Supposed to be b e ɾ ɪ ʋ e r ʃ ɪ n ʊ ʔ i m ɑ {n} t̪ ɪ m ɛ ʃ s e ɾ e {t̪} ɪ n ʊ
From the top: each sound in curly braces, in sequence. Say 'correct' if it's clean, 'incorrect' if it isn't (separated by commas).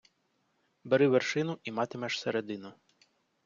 incorrect, incorrect